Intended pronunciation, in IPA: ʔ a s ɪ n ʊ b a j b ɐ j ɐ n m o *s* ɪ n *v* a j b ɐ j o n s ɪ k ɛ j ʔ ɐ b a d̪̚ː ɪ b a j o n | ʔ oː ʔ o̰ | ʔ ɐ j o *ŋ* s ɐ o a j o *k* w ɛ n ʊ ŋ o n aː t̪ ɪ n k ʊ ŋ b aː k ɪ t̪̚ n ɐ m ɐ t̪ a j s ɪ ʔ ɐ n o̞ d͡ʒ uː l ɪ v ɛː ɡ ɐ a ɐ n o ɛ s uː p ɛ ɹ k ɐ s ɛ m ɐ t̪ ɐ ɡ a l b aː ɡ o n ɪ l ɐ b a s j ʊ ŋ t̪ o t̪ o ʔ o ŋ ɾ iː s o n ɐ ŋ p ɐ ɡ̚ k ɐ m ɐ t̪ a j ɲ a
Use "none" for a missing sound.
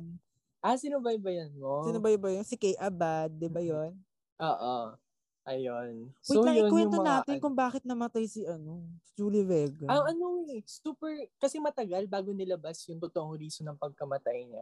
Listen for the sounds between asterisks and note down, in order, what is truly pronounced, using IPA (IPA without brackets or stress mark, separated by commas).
s, b, n, k